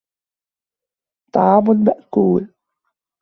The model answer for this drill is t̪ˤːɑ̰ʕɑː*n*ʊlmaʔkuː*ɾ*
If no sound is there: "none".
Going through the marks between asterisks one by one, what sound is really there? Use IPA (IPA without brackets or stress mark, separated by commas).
m, l